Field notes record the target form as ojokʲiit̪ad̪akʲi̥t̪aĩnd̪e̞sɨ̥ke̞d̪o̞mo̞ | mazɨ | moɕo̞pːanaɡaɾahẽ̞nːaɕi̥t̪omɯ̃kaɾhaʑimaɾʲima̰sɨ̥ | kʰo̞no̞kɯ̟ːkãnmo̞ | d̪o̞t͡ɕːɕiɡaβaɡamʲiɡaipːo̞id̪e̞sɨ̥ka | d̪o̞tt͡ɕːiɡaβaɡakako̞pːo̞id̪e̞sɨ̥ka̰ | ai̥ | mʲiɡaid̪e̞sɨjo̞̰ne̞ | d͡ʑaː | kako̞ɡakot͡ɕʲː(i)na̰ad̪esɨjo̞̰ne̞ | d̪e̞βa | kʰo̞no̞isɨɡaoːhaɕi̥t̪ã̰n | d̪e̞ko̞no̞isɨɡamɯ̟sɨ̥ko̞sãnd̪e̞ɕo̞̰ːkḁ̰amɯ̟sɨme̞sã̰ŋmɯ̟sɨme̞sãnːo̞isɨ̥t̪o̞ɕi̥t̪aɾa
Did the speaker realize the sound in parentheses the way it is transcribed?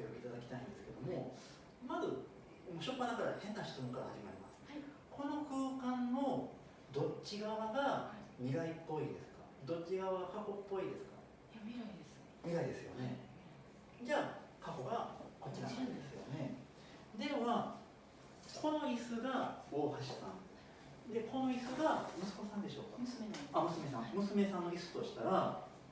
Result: yes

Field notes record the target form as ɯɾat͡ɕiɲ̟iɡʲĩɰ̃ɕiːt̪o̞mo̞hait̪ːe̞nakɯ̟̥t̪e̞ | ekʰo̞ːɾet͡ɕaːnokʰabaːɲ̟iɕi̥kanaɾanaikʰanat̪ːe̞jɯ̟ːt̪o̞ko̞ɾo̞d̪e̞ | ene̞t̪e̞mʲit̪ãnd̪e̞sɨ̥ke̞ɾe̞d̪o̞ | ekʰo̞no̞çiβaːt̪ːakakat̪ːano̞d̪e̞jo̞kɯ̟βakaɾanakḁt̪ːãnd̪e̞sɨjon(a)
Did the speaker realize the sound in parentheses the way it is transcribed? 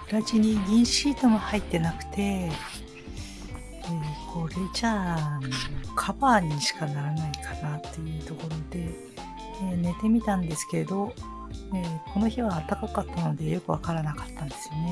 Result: no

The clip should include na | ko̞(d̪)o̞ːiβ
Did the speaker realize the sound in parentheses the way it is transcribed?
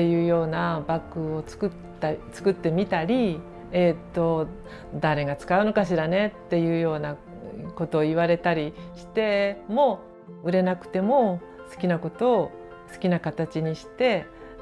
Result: no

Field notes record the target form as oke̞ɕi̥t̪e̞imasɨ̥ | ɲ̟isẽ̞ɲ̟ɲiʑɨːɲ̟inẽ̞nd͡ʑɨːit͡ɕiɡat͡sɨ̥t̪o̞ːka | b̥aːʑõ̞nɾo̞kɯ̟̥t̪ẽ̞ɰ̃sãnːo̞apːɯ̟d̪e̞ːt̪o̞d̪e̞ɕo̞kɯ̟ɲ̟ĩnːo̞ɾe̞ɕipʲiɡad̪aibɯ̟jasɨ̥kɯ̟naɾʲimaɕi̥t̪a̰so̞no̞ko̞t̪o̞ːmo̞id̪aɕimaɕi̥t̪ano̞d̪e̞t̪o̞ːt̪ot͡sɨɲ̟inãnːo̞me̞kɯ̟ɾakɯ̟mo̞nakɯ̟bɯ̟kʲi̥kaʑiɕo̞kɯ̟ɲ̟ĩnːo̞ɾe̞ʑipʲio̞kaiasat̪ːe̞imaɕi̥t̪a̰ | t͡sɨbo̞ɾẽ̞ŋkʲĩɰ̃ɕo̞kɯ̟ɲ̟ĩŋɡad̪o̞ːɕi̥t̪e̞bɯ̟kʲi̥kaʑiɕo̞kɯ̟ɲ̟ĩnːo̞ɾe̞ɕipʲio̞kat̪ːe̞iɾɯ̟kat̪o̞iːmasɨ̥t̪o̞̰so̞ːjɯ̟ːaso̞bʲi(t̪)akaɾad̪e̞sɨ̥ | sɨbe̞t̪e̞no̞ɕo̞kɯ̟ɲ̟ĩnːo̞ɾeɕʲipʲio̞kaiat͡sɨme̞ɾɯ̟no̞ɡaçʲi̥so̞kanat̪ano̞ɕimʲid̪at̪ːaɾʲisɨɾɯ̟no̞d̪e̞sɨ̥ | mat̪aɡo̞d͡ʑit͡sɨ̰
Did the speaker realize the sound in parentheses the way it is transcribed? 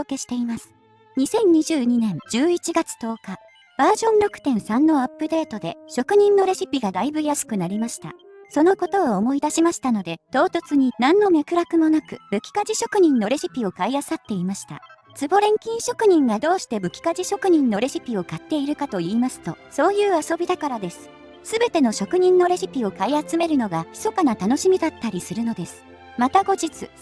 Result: no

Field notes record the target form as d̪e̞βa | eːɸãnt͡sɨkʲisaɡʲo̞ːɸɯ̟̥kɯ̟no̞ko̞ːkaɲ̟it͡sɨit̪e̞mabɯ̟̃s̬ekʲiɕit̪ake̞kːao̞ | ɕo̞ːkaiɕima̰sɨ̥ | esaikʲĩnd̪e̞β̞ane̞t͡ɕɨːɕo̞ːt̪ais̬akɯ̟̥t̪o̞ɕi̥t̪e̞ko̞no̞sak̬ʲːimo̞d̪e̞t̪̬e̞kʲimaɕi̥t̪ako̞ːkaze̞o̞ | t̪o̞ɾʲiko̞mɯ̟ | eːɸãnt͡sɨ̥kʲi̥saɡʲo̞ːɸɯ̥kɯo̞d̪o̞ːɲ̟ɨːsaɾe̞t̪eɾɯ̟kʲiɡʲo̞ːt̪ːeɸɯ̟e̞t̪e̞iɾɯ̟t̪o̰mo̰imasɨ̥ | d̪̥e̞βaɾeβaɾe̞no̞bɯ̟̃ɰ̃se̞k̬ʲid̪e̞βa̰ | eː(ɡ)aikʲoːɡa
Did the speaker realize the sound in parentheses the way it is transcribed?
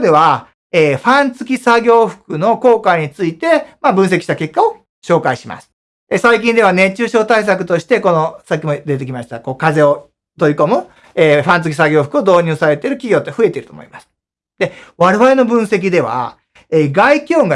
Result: yes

